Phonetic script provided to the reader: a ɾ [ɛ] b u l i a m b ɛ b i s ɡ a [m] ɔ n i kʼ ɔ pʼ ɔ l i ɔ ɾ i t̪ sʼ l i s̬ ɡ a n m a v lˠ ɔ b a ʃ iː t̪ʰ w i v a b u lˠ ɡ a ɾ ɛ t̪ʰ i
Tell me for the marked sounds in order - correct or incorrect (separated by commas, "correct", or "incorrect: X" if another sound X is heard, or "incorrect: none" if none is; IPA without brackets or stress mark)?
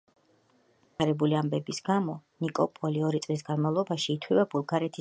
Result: correct, correct